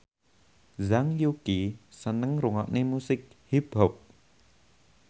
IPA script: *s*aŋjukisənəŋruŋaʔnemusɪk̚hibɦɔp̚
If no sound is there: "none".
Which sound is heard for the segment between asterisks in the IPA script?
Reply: z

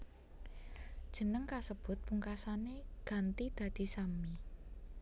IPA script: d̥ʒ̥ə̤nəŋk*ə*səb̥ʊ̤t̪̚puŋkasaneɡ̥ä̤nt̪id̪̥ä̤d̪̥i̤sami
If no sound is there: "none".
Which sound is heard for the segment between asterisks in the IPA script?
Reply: a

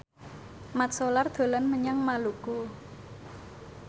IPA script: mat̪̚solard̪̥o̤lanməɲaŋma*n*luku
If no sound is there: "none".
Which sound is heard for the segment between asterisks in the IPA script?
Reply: none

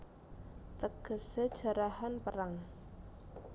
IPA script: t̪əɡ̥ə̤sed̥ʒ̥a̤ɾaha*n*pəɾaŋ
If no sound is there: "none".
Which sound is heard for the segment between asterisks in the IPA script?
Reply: n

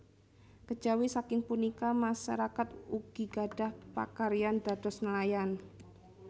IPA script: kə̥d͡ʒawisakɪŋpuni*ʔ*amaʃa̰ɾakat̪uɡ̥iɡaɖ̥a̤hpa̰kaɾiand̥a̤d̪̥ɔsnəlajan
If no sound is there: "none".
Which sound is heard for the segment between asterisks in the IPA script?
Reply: k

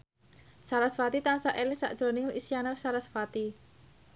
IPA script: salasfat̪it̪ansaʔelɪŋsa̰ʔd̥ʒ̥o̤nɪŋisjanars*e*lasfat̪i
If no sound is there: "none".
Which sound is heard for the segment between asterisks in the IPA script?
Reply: a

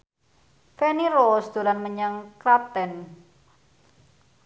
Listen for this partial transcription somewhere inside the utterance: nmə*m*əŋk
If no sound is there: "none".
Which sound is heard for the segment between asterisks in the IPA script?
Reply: ɲ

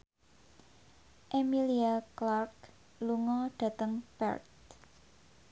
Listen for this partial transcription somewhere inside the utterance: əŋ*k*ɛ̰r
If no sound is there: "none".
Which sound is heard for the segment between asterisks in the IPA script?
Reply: p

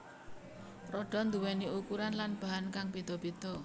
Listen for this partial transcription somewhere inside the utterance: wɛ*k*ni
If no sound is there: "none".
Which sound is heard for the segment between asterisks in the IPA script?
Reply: none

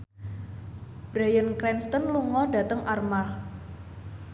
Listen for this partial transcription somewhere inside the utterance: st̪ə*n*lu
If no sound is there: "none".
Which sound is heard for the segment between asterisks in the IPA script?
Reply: n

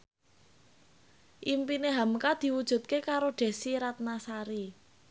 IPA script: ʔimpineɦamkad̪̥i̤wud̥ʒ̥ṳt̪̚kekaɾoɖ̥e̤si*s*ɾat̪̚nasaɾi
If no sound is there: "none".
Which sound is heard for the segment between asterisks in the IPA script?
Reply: none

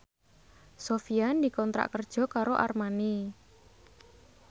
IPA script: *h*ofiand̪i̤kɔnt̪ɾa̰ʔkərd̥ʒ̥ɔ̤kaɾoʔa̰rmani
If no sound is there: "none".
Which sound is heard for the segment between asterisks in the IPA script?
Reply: s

